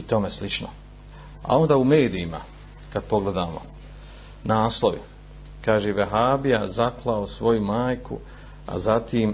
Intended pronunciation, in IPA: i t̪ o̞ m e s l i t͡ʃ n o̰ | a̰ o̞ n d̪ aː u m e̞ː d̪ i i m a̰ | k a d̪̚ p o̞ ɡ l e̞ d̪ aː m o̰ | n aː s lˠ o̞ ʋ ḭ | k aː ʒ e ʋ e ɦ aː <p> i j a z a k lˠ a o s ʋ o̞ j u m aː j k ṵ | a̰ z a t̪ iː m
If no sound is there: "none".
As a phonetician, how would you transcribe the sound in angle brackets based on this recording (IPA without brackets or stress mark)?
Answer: b